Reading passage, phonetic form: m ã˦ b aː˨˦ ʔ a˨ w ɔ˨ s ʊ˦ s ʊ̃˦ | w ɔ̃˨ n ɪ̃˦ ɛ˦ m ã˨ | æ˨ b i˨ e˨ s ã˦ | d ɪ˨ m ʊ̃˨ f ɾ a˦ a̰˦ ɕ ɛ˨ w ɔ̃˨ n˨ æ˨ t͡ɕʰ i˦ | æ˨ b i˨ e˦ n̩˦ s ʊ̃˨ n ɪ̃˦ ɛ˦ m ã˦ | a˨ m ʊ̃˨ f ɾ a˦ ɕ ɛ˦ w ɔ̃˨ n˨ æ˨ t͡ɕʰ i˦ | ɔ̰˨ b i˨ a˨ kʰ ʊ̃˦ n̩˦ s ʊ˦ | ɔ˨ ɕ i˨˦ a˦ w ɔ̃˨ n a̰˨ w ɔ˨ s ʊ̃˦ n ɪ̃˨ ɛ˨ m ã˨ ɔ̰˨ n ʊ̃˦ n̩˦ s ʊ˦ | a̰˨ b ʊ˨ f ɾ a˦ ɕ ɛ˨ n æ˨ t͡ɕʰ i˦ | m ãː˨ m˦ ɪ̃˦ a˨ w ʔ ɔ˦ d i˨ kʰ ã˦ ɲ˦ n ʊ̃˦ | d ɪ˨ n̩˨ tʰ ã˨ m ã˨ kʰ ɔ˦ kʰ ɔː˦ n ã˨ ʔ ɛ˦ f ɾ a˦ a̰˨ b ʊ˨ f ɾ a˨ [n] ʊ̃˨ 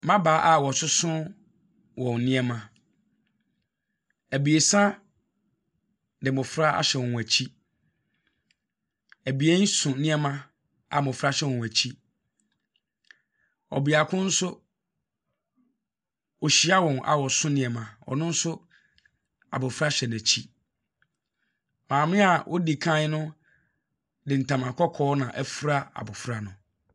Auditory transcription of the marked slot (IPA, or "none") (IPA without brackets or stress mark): n